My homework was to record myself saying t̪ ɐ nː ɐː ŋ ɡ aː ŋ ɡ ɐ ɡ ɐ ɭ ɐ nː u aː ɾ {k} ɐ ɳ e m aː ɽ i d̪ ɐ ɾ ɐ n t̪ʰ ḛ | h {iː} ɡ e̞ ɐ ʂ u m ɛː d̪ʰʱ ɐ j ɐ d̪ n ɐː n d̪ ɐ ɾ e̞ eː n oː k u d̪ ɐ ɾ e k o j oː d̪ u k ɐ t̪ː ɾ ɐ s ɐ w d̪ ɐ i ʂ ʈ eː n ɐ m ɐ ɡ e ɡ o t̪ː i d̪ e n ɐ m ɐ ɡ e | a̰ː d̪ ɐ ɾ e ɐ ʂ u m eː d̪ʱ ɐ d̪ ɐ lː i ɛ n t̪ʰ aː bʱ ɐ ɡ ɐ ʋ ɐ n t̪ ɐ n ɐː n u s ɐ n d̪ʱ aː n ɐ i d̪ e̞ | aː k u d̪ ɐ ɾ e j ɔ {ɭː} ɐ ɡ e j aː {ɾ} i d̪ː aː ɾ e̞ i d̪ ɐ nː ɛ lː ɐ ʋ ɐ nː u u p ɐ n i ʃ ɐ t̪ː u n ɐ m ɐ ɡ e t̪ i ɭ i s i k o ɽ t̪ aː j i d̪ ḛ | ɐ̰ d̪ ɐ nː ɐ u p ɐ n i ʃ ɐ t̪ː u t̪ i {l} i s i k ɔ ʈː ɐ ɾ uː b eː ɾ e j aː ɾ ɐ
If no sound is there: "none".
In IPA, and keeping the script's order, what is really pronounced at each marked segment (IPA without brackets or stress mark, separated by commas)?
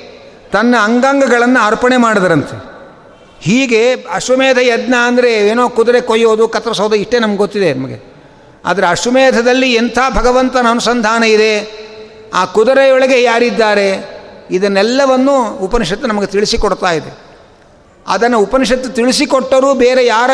p, iː, ɭ, ɾ, ɭ